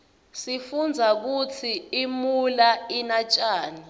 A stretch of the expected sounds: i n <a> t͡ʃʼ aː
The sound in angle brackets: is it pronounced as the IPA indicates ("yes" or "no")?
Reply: yes